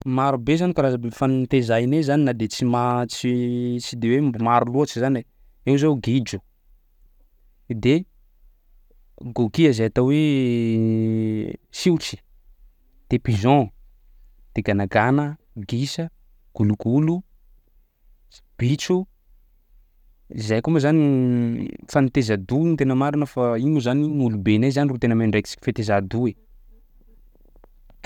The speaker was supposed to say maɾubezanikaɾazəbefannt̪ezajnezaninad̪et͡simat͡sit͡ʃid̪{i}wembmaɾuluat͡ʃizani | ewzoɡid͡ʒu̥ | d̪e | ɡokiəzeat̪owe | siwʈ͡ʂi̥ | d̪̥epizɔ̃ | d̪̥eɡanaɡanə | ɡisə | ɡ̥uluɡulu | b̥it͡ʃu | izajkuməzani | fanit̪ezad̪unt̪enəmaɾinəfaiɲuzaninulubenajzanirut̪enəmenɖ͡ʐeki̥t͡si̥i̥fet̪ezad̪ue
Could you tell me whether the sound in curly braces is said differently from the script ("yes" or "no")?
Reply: yes